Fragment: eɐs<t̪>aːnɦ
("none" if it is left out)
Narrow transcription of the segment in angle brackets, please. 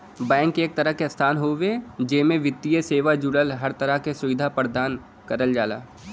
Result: t̪ʰ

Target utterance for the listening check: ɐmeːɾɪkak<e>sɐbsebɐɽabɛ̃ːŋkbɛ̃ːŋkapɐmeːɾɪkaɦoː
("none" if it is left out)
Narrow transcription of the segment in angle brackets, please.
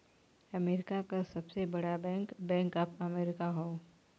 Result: a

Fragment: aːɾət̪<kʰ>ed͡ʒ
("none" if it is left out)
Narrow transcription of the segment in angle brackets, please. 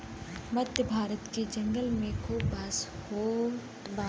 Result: k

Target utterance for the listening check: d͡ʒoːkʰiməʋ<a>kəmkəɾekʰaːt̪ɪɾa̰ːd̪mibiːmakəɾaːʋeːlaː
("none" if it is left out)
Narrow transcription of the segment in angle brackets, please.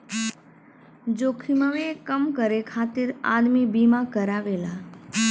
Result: e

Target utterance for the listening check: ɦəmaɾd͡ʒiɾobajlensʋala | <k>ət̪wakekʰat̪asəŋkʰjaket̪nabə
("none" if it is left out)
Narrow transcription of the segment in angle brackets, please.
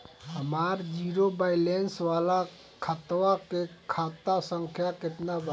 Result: kʰ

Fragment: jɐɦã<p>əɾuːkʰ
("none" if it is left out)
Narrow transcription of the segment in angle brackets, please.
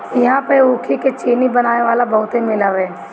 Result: p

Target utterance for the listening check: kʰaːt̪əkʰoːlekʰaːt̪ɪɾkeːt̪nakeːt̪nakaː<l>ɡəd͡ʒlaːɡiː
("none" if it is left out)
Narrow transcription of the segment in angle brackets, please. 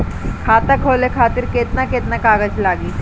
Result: none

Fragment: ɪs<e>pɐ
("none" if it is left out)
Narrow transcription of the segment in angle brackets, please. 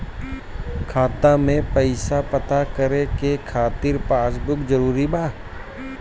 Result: a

